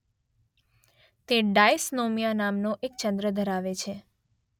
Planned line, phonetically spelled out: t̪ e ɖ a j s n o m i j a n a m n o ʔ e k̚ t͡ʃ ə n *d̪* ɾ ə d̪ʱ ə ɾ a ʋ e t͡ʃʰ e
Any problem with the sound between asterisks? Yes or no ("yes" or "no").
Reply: no